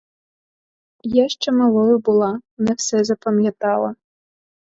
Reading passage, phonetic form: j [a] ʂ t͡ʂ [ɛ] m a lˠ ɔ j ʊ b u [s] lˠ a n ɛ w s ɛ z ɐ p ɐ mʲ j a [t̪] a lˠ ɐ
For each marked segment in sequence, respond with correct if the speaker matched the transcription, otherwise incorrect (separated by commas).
correct, correct, incorrect, correct